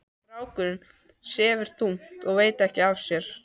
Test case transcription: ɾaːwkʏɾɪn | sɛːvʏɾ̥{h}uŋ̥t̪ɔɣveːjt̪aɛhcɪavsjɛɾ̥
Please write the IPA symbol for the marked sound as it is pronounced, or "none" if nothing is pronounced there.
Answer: θ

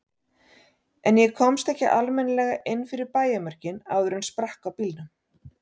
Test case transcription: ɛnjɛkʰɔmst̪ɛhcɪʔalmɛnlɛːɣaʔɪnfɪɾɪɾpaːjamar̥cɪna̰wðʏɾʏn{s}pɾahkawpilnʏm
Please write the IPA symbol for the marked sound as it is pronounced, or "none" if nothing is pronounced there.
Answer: s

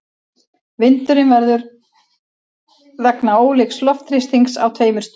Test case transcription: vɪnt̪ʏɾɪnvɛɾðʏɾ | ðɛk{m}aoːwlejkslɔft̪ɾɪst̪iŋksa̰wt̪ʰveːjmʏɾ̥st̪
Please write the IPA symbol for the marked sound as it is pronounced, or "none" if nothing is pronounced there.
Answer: n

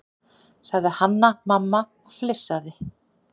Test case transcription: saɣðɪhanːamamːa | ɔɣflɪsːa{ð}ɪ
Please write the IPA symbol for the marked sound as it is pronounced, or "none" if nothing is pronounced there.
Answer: ð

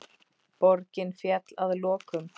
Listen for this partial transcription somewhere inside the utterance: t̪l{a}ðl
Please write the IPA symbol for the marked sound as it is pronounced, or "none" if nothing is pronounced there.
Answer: a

